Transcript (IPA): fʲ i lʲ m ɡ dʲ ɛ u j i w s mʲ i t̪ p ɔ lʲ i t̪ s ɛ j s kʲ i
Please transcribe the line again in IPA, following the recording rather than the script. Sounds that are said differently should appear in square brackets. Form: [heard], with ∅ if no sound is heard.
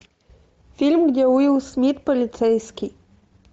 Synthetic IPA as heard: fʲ i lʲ m ɡ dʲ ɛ u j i w s mʲ i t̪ p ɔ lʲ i t̪ s ɛ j s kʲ i